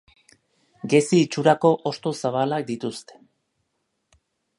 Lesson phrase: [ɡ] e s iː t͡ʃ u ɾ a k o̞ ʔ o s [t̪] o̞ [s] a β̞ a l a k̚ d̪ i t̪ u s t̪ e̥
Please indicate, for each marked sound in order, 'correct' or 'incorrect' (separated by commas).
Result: correct, correct, correct